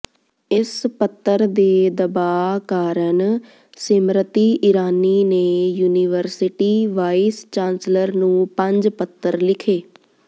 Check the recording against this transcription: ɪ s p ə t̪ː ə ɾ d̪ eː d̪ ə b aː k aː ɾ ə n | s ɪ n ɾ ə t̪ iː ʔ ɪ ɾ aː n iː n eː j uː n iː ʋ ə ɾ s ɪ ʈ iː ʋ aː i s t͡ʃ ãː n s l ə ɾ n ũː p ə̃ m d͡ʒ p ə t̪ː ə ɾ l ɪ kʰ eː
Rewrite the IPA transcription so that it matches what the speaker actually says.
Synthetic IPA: ɪ s p ə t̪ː ə ɾ d̪ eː d̪ ə b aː k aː ɾ ə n | s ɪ m ɾ ə t̪ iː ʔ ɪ ɾ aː n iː n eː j uː n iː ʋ ə ɾ s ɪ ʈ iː ʋ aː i s t͡ʃ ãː n s l ə ɾ n ũː p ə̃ ɲ d͡ʒ p ə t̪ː ə ɾ l ɪ kʰ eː